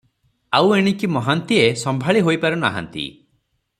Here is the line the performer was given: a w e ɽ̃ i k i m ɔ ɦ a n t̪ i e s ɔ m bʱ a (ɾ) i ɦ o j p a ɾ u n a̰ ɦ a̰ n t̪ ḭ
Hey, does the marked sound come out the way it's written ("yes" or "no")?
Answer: no